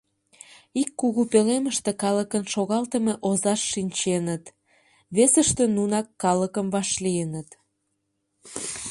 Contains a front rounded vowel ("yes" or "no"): no